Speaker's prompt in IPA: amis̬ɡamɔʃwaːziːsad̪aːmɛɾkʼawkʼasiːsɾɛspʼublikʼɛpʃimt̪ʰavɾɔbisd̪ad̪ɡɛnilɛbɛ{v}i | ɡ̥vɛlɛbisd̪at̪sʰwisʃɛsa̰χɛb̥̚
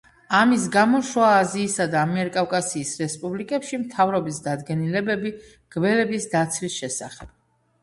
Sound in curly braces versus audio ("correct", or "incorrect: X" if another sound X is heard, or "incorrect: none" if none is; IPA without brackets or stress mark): incorrect: b